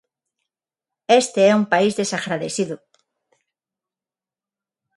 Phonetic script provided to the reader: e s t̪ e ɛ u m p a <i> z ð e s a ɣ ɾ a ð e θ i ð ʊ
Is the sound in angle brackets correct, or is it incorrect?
correct